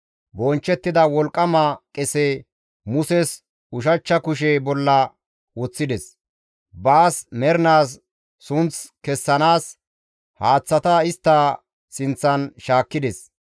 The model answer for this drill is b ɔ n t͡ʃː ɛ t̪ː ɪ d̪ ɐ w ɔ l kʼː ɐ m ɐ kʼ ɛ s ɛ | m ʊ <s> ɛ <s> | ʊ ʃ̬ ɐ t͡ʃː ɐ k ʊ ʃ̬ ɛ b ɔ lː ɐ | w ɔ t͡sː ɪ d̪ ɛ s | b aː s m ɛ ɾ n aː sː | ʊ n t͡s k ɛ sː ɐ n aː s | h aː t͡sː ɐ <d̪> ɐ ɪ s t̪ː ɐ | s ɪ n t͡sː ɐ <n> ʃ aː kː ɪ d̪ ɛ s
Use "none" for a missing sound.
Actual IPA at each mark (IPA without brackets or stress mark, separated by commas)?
s, s, t̪, n